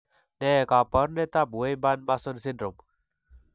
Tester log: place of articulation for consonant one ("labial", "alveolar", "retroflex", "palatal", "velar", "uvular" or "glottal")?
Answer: alveolar